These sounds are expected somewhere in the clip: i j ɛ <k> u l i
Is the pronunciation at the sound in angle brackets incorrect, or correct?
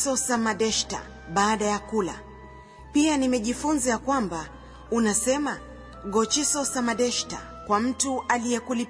correct